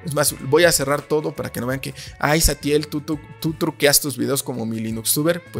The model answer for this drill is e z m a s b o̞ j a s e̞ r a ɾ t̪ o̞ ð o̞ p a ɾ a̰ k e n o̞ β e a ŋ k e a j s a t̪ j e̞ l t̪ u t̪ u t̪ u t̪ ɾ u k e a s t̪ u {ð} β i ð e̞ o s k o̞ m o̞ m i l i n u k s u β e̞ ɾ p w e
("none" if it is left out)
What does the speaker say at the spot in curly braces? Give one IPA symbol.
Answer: z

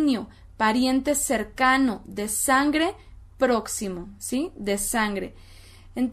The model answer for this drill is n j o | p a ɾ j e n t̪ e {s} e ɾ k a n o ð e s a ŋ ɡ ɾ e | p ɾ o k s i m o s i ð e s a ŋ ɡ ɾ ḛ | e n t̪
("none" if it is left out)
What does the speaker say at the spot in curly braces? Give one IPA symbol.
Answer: s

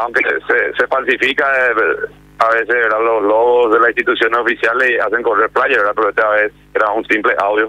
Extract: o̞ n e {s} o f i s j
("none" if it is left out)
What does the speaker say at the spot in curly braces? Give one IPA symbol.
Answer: s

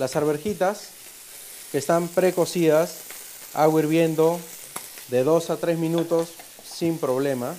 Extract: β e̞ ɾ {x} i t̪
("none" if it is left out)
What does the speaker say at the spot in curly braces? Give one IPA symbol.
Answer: x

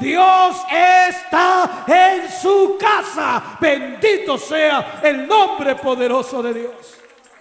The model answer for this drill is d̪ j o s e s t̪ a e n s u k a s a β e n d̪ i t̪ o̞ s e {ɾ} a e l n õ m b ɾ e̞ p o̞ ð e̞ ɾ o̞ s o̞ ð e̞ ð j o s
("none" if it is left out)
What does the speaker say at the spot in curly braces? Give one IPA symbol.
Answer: none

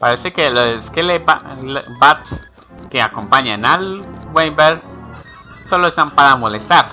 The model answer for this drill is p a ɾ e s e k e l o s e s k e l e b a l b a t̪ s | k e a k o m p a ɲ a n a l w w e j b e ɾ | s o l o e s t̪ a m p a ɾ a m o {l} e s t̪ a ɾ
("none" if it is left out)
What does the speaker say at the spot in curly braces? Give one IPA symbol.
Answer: l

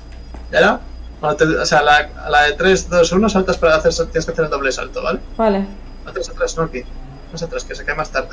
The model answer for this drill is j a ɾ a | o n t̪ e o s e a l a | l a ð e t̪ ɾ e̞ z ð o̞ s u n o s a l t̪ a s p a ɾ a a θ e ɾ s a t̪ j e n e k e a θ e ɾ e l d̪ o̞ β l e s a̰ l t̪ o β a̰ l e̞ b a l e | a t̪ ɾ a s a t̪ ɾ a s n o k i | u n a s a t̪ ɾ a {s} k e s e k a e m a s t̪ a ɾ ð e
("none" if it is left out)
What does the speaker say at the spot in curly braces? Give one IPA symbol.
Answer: s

